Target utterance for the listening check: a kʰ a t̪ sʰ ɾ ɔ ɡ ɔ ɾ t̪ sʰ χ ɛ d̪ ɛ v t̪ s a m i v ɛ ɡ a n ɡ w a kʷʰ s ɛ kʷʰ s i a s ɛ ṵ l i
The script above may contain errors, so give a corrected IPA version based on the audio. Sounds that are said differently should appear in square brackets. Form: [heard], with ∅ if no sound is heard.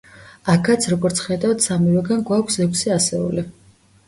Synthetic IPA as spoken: a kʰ a t̪ sʰ ɾ ɔ ɡ ɔ ɾ t̪ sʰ χ ɛ d̪ [a] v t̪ s a m i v ɛ ɡ a n ɡ w a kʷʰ s ɛ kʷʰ s i a s ɛ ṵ l i